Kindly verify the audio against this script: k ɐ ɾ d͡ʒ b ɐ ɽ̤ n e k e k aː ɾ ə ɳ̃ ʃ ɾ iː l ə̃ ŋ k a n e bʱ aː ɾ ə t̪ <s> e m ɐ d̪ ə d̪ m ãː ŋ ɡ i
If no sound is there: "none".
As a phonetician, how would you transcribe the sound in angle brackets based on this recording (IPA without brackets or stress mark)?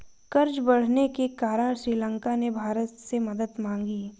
s